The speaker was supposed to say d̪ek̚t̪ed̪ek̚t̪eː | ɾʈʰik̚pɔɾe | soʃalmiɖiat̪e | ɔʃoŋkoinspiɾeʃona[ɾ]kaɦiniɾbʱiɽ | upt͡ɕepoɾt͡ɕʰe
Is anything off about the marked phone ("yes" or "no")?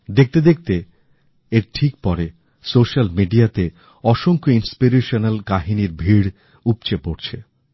yes